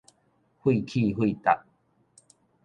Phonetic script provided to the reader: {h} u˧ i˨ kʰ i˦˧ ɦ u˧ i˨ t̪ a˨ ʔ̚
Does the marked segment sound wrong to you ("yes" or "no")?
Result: no